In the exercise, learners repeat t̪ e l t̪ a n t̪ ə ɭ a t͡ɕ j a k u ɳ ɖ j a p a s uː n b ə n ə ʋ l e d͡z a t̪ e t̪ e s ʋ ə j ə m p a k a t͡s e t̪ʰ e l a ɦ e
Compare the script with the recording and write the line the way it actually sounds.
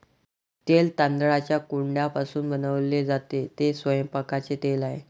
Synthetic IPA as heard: t̪ e l t̪ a n d̪ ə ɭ a t͡ɕ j a k u ɳ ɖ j a p a s uː n b ə n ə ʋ l e d͡z a t̪ e t̪ e s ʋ ə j ə m p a k a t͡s e t̪ e l a ɦ e